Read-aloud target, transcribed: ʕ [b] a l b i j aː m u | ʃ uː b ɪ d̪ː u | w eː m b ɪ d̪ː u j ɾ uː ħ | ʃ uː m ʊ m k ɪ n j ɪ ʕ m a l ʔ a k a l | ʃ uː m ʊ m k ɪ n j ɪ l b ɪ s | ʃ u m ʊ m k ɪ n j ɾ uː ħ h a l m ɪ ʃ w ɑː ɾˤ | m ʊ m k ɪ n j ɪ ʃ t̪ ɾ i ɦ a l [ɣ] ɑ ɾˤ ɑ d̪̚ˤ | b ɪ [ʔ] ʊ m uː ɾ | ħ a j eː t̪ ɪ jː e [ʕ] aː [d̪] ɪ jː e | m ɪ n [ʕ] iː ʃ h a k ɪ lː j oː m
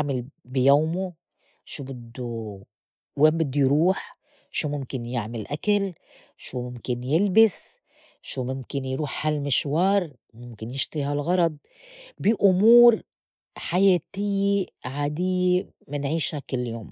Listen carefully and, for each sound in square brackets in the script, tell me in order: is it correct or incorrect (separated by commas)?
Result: incorrect, correct, correct, correct, correct, correct